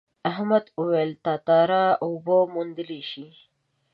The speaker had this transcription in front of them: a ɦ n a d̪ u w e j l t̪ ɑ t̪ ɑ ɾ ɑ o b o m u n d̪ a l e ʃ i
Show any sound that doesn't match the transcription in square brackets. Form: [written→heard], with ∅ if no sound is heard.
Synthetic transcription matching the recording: a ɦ [n→m] a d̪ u w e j l t̪ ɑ t̪ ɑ ɾ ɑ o b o m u n d̪ [a→ə] l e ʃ i